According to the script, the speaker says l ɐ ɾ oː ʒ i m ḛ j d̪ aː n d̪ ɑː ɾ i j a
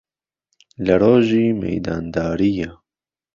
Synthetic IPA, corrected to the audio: l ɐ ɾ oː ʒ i m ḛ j d̪ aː n d̪ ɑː ɾ i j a